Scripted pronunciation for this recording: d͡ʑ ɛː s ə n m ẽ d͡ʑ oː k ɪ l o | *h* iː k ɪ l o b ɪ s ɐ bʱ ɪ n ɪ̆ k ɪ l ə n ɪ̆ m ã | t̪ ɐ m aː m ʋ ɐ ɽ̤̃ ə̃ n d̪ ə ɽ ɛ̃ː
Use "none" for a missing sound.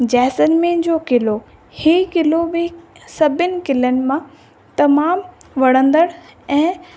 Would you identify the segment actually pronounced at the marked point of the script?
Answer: h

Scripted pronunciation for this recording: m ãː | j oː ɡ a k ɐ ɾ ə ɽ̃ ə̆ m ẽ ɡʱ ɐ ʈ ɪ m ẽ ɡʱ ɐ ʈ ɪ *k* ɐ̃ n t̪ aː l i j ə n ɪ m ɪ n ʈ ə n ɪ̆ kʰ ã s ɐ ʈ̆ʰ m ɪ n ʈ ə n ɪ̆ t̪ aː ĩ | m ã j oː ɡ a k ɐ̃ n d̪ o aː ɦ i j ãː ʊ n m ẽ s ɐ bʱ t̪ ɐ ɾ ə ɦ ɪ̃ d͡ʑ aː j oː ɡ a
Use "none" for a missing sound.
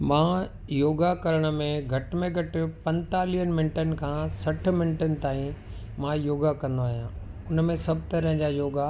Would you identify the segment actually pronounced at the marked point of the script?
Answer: p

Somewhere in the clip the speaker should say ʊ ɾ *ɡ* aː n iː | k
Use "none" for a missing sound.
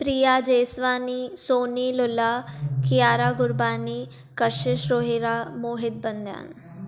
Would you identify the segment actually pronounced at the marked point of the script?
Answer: b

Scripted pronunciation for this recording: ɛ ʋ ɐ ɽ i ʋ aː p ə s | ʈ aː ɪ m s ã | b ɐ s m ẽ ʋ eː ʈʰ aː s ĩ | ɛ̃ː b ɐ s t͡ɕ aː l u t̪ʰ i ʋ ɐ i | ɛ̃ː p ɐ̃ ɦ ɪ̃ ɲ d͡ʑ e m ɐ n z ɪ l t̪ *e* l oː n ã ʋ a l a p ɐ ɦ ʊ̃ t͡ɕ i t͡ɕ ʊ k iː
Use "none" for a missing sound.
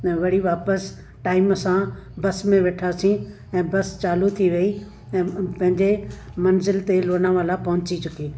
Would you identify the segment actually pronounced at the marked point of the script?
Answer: e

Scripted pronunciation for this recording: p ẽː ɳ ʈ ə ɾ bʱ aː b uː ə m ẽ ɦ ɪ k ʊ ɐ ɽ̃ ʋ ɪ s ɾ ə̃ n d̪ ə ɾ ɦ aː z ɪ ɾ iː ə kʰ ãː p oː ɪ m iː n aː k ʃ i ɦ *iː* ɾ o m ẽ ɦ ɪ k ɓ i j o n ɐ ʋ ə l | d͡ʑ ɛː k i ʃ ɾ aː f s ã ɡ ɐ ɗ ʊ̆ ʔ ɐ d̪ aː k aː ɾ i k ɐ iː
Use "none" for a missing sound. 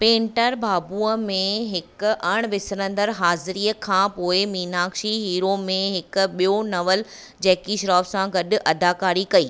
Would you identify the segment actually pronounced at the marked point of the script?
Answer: iː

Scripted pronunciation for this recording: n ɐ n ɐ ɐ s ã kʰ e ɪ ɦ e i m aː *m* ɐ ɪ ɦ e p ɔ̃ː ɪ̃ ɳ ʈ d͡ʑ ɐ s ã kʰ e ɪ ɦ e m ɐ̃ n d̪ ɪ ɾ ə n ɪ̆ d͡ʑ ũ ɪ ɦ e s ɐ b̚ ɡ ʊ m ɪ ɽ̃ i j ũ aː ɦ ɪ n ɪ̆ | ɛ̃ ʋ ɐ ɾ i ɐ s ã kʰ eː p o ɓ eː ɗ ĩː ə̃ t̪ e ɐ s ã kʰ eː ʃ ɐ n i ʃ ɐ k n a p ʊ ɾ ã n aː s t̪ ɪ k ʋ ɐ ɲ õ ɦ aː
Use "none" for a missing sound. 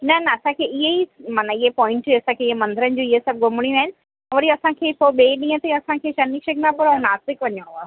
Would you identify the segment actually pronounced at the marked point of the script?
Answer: n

